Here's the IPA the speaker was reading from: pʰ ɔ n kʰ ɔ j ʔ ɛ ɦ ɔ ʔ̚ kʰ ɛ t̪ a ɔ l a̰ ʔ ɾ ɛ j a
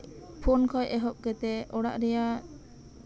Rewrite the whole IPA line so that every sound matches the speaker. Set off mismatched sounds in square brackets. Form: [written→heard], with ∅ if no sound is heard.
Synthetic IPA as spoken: pʰ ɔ n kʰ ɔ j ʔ ɛ ɦ ɔ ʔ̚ [kʰ→k] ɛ t̪ [a→ɛ] ɔ [l→ɽ] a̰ ʔ ɾ ɛ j a